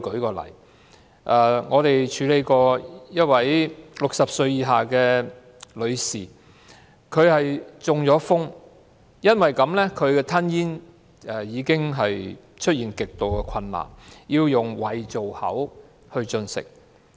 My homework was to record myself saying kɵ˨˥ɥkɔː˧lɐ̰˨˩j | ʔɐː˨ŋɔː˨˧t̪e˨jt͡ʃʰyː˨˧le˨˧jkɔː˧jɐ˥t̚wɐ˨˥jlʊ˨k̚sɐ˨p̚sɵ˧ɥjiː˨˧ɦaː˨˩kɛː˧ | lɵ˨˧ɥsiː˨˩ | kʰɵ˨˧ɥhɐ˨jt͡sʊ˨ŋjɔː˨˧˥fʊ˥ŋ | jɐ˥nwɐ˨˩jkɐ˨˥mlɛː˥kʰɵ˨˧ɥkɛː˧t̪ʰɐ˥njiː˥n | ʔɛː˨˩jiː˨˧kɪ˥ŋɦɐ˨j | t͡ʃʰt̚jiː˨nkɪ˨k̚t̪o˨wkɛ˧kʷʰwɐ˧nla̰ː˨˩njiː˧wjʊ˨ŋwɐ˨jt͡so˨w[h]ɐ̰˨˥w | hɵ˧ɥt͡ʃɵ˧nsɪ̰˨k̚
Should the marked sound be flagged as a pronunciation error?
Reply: no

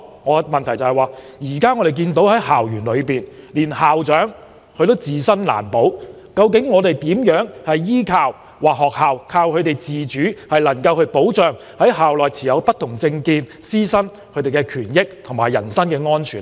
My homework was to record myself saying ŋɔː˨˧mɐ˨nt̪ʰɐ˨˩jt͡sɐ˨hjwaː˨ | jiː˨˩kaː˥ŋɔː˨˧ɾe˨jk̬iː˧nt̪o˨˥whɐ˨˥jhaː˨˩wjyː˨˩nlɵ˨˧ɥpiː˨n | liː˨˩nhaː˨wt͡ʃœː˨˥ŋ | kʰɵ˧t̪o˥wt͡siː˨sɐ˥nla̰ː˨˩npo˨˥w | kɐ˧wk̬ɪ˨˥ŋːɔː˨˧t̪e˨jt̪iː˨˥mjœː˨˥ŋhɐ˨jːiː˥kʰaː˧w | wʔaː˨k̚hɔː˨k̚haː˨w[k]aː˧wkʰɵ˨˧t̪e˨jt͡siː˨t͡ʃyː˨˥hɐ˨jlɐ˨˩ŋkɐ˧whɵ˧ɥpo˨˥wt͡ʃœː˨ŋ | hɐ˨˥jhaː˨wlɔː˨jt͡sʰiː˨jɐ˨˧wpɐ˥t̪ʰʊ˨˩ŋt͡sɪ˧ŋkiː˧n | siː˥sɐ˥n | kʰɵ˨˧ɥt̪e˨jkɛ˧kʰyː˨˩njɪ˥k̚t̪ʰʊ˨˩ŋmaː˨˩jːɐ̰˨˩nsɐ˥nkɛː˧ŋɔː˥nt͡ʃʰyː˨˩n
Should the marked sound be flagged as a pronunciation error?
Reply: yes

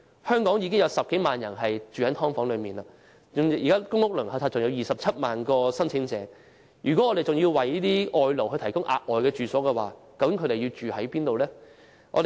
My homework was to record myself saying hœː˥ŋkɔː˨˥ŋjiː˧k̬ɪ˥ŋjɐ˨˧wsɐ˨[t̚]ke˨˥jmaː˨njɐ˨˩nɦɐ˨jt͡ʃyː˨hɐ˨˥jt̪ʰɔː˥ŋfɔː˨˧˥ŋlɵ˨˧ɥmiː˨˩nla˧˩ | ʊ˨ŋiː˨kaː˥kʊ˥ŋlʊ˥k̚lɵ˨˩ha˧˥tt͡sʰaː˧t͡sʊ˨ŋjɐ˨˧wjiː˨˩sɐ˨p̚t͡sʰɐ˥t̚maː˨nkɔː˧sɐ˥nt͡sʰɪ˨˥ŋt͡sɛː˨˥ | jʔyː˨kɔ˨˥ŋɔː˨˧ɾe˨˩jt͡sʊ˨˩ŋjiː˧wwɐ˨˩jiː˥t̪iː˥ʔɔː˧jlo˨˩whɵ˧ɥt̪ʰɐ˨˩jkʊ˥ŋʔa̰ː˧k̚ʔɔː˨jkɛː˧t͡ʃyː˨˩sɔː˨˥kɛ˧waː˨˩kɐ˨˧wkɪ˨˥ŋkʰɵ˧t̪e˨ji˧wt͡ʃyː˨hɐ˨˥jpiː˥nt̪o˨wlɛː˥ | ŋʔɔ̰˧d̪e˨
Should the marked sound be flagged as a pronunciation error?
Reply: yes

